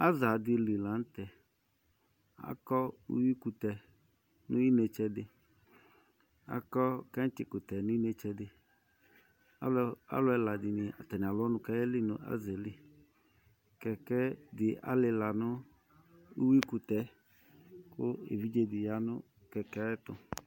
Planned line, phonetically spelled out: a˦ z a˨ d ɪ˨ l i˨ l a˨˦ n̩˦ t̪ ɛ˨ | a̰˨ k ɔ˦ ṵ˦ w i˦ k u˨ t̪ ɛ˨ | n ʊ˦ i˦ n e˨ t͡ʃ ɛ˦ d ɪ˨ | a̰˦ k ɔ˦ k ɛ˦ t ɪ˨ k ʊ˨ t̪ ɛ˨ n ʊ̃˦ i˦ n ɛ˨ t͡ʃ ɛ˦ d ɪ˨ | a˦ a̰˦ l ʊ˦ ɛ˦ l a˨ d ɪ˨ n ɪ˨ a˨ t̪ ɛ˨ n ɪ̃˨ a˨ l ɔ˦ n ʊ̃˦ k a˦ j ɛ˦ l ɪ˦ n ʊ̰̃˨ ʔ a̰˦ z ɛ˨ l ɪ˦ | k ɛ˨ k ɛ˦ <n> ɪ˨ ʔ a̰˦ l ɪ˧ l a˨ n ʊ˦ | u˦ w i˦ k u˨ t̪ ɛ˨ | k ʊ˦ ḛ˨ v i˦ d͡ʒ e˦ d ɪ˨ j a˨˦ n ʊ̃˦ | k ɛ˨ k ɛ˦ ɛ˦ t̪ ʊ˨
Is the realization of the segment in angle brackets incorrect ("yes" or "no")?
yes